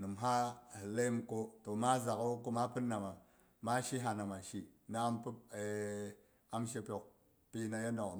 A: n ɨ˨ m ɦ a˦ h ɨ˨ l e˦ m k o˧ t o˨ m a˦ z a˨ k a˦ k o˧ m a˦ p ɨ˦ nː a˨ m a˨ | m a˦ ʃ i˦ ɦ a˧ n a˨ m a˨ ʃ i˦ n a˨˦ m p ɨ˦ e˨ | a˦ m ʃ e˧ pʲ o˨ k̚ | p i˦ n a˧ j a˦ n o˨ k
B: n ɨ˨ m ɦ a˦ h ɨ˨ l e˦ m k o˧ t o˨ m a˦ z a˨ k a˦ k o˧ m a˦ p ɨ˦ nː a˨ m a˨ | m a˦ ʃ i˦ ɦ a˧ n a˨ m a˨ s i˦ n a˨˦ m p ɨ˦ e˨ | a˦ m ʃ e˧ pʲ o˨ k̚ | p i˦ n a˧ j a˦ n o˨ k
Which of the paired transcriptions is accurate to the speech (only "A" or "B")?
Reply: A